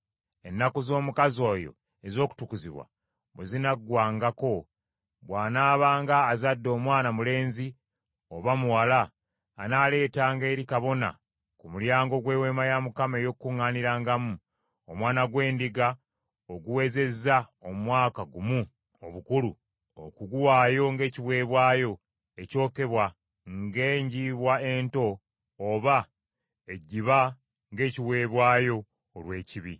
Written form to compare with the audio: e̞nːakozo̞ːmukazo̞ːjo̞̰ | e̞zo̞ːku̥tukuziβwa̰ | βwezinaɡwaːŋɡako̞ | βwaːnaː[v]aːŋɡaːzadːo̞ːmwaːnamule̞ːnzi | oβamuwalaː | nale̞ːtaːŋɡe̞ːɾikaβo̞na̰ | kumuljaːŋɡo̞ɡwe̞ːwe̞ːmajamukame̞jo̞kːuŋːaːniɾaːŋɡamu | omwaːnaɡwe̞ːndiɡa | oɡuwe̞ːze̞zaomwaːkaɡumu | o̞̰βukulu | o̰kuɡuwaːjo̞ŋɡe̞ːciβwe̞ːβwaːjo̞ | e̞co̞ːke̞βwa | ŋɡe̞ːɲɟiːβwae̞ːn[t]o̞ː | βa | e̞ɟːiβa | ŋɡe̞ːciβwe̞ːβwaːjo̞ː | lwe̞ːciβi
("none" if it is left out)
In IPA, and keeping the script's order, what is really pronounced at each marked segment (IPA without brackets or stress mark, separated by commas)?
β, t